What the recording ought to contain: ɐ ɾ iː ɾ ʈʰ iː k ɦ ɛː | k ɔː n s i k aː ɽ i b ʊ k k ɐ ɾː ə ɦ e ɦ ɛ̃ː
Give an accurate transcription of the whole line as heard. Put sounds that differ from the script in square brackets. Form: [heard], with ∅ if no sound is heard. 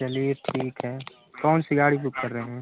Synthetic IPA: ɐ [l] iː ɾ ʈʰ iː k ɦ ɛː | k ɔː n s i [ɡ] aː ɽ i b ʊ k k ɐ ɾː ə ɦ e ɦ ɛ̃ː